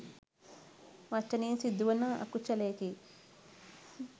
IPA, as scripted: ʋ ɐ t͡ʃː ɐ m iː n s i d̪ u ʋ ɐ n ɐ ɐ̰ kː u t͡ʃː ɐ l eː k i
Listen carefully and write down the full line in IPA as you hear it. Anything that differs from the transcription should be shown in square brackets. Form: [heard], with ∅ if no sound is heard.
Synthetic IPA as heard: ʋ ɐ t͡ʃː ɐ [n] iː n s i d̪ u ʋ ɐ n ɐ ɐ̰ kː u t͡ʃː ɐ l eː k i